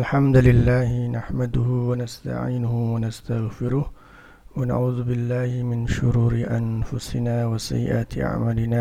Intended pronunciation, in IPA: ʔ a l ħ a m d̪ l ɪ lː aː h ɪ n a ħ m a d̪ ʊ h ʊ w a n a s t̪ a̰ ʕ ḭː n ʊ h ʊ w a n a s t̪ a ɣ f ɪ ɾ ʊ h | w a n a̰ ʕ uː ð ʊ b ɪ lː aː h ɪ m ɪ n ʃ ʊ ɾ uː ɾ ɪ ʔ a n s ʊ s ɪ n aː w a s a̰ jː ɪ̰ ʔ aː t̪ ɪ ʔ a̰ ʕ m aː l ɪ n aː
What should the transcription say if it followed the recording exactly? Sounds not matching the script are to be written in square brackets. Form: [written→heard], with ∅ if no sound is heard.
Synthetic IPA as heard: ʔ a l ħ a m d̪ l ɪ lː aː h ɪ n a ħ m a d̪ ʊ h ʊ w a n a s t̪ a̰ ʕ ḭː n ʊ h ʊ w a n a s t̪ a ɣ f ɪ ɾ ʊ h | w a n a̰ ʕ uː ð ʊ b ɪ lː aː h ɪ m ɪ n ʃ ʊ ɾ uː ɾ ɪ ʔ a n [s→f] ʊ s ɪ n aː w a s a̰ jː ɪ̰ ʔ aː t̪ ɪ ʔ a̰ ʕ m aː l ɪ n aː